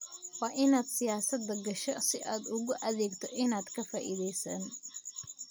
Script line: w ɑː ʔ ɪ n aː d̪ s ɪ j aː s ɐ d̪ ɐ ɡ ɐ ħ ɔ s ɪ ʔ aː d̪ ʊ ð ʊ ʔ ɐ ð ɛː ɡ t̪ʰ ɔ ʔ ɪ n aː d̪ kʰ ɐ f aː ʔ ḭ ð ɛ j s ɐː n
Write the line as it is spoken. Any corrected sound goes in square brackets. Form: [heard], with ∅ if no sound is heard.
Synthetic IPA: w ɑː ʔ ɪ n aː d̪ s ɪ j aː s ɐ d̪ ɐ ɡ ɐ [ʃ] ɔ s ɪ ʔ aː d̪ ʊ [ɣ] ʊ ʔ ɐ ð ɛː ɡ t̪ʰ ɔ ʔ ɪ n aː d̪ kʰ ɐ f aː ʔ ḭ ð ɛ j s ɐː n